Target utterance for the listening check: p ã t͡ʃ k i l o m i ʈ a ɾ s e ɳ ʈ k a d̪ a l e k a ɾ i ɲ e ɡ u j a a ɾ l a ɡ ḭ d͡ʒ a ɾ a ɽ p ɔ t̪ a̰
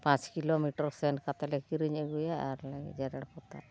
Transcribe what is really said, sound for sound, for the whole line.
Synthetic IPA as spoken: p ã t͡ʃ k i l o m i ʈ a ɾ s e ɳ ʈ k a t̪ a l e k i ɾ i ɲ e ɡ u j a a ɾ l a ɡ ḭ d͡ʒ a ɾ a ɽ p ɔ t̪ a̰